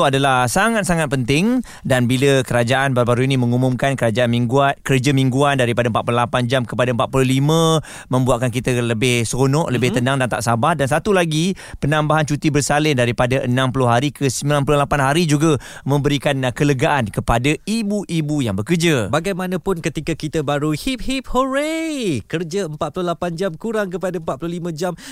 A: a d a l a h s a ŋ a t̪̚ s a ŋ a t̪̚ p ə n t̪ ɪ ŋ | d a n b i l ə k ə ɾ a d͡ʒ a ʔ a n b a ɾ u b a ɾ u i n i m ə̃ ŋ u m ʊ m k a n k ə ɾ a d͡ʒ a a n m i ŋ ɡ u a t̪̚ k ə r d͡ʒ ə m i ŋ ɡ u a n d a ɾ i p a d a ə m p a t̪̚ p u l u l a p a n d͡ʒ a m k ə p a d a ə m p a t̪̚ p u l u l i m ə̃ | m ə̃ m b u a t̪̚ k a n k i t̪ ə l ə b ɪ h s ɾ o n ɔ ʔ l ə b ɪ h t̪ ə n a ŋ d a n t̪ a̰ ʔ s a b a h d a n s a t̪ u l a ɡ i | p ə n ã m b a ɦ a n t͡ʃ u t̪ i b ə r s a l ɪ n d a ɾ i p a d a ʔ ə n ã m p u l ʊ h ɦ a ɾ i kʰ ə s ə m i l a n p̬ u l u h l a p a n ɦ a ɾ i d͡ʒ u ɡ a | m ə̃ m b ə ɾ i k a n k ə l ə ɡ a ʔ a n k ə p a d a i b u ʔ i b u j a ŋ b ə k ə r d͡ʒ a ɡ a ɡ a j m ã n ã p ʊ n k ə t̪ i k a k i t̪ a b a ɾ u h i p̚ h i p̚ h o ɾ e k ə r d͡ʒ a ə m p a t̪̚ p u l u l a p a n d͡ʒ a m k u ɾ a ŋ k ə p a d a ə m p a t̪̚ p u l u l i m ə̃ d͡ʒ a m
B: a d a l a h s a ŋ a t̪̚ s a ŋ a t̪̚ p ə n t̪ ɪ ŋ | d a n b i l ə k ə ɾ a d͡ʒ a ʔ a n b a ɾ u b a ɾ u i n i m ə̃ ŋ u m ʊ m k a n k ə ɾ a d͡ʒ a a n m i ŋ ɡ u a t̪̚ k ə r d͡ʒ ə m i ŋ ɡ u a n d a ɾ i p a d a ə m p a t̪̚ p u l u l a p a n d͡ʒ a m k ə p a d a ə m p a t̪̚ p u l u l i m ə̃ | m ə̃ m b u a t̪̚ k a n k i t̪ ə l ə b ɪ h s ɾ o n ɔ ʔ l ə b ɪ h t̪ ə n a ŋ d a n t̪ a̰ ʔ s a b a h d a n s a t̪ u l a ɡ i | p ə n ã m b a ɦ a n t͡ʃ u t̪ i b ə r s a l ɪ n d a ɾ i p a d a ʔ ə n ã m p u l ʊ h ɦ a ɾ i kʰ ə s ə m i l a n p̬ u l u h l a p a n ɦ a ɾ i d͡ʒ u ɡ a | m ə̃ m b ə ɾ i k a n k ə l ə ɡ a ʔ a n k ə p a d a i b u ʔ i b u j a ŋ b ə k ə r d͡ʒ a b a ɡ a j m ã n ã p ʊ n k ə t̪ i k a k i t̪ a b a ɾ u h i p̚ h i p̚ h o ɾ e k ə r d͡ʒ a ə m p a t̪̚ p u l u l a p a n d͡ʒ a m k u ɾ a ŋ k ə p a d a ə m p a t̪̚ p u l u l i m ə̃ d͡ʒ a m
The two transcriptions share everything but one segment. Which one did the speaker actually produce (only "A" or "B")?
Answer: B